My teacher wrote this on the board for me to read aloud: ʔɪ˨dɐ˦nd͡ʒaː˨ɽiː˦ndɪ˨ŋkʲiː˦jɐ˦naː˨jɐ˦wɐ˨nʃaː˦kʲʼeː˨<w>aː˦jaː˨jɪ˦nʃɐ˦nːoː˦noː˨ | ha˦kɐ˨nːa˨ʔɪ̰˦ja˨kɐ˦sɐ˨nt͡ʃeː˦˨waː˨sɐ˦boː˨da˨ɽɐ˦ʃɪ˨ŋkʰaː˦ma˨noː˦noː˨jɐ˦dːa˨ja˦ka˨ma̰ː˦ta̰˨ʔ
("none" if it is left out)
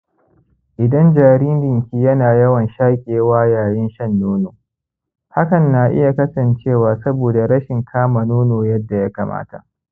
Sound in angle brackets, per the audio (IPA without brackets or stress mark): w